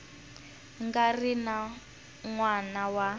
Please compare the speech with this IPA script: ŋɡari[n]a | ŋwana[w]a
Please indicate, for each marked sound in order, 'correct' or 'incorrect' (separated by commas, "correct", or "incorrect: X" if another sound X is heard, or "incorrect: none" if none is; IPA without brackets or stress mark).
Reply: correct, correct